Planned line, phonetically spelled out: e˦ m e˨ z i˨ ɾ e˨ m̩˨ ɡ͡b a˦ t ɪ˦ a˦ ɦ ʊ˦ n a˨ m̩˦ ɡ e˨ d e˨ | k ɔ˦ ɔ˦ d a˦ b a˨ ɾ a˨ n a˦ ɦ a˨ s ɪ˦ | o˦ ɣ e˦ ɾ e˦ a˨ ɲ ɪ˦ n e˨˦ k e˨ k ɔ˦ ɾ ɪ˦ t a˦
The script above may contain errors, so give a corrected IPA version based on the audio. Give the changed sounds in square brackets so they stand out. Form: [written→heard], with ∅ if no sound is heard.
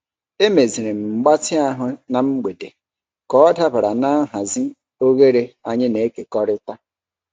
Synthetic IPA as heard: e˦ m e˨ z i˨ ɾ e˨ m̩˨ ɡ͡b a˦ t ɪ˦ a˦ ɦ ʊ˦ n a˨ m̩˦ [ɡ→ɡ͡b] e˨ d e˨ | k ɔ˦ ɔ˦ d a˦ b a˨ ɾ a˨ n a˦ ɦ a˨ [s→z] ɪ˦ | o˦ ɣ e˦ ɾ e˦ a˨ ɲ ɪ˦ n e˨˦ k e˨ k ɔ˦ ɾ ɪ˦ t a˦